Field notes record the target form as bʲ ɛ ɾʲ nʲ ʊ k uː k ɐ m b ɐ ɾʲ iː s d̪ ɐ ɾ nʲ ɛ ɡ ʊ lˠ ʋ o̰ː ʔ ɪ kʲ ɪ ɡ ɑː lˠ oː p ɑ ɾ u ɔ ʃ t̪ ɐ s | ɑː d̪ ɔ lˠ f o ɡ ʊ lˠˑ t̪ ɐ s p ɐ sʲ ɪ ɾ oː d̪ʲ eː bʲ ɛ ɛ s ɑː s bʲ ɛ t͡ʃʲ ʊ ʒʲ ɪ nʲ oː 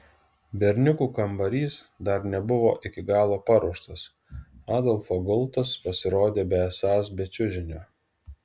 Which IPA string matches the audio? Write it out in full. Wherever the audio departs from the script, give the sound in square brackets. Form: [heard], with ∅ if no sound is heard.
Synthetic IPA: bʲ ɛ ɾʲ nʲ ʊ k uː k ɐ m b ɐ ɾʲ iː s d̪ ɐ ɾ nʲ ɛ [b] ʊ [∅] ʋ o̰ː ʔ ɪ kʲ ɪ ɡ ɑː lˠ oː p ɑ ɾ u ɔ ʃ t̪ ɐ s | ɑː d̪ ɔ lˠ f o ɡ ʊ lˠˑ t̪ ɐ s p ɐ sʲ ɪ ɾ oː d̪ʲ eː bʲ ɛ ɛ s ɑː s bʲ ɛ t͡ʃʲ ʊ ʒʲ ɪ nʲ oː